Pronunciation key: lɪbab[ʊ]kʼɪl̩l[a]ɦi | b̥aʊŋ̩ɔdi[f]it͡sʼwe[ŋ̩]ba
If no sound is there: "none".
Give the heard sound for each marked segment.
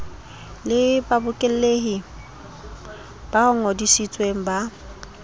ʊ, e, s, ŋ̩

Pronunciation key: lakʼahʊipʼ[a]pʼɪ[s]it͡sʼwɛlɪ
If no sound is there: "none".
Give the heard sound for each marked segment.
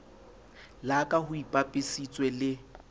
a, s

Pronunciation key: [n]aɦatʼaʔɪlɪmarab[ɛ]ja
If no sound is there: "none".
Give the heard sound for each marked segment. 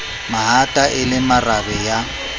m, ɛ

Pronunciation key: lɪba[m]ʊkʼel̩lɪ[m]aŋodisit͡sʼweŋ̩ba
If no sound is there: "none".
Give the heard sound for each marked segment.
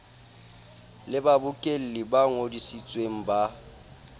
b, b

